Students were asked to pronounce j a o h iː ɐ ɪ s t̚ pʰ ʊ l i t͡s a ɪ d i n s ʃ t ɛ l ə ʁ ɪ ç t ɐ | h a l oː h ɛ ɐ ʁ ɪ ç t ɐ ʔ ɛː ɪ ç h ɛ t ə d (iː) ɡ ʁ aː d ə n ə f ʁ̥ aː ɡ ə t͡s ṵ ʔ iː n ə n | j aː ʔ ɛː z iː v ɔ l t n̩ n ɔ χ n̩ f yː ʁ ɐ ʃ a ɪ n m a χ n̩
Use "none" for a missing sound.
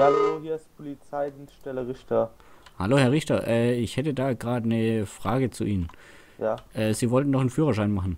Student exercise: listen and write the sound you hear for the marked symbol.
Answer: aː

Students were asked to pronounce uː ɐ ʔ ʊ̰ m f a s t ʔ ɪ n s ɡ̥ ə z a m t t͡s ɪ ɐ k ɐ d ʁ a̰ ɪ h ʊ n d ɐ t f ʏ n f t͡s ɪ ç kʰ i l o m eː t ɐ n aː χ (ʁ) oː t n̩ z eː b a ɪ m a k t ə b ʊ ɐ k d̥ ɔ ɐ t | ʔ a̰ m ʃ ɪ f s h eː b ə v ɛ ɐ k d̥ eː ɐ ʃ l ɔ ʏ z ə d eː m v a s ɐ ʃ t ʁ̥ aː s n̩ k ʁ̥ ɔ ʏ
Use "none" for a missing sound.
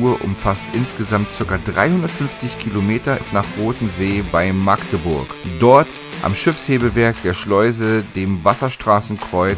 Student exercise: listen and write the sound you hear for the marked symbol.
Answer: ʁ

